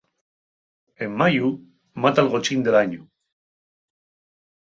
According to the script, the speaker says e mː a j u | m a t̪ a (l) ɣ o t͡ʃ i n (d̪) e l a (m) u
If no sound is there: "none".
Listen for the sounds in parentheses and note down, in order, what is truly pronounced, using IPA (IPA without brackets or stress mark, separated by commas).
l, d̪, ɲ